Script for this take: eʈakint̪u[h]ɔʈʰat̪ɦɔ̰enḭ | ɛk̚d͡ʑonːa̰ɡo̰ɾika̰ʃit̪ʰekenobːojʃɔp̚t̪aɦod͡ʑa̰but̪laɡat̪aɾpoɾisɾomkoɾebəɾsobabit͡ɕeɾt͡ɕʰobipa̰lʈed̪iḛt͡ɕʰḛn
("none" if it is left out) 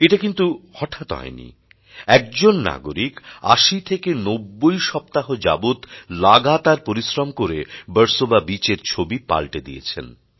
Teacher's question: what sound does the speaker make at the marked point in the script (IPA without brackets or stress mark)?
h